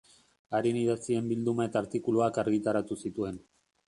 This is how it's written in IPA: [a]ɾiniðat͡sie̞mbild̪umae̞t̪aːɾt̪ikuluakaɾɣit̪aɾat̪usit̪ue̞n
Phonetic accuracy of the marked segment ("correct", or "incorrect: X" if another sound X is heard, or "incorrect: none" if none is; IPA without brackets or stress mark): correct